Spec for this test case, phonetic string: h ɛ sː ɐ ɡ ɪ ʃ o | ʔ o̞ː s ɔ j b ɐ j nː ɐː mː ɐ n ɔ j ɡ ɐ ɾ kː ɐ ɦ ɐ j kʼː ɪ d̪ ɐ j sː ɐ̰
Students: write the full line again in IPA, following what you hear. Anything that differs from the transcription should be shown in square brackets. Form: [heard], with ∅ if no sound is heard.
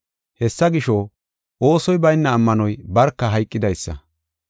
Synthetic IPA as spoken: h ɛ sː ɐ ɡ ɪ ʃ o | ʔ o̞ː s ɔ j b ɐ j nː ɐː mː ɐ n ɔ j [b] ɐ ɾ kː ɐ ɦ ɐ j kʼː ɪ d̪ ɐ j sː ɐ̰